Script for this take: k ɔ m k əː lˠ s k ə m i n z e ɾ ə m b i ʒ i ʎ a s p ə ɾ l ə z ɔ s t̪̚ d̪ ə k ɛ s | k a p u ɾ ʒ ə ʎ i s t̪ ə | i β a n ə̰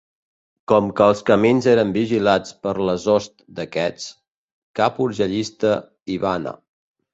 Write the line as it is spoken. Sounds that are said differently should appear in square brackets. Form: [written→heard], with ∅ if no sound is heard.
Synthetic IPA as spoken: k ɔ m k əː lˠ s k ə m i n z e ɾ ə m b i ʒ i [ʎ→l] a [s→t͡s] p ə ɾ l ə z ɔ s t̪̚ d̪ ə k ɛ [s→t͡s] | k a p u ɾ ʒ ə ʎ i s t̪ ə | i β a n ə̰